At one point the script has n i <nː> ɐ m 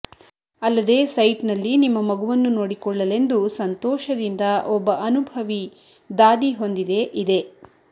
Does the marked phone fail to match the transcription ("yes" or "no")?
yes